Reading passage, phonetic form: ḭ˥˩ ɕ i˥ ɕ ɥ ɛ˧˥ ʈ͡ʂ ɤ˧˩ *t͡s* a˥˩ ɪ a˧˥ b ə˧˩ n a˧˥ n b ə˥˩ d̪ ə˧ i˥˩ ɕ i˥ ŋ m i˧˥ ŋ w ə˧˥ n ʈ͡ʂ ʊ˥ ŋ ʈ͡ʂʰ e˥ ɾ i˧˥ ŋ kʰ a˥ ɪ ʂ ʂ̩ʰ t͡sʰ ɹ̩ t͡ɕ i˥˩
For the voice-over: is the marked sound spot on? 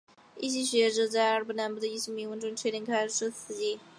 yes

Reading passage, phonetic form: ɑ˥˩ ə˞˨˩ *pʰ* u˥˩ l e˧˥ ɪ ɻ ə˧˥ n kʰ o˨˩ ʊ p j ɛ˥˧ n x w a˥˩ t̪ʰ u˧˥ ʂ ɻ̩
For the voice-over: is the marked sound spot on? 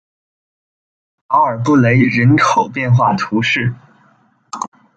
no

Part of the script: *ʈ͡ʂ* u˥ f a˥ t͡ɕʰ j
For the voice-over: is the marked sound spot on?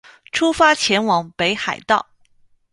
no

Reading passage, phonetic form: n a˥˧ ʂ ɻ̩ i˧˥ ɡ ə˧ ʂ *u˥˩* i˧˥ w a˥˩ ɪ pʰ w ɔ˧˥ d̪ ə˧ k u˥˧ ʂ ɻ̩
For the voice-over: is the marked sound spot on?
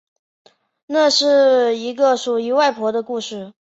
no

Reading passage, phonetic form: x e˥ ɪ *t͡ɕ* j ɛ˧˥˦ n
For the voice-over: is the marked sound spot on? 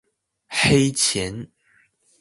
no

